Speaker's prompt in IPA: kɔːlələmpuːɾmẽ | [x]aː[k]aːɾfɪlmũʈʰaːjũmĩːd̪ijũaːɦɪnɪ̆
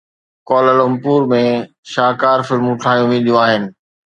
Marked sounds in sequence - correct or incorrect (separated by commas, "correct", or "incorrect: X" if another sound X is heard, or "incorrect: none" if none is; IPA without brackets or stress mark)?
incorrect: ʃ, correct